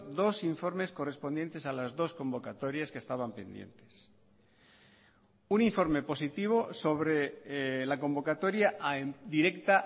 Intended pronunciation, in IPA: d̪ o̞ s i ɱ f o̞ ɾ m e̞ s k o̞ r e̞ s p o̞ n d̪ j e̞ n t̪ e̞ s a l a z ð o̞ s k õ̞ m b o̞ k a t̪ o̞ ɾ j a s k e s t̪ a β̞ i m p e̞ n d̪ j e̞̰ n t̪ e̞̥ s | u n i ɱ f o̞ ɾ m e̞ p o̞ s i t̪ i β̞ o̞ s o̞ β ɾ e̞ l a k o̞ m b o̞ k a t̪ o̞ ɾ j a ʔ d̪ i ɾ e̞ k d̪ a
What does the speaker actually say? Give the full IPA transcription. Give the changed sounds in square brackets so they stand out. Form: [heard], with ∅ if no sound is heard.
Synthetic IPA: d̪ o̞ s i ɱ f o̞ ɾ m e̞ s k o̞ r e̞ s p o̞ n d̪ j e̞ n t̪ e̞ s a l a z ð o̞ s k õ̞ m b o̞ k a t̪ o̞ ɾ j a s k e s t̪ a β̞ [a] m p e̞ n d̪ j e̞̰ n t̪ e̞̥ s | u n i ɱ f o̞ ɾ m e̞ p o̞ s i t̪ i β̞ o̞ s o̞ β ɾ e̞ l a k o̞ m b o̞ k a t̪ o̞ ɾ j a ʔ d̪ i ɾ e̞ k [t̪] a